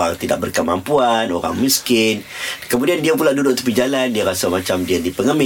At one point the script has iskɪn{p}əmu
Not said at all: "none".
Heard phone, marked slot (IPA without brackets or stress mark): k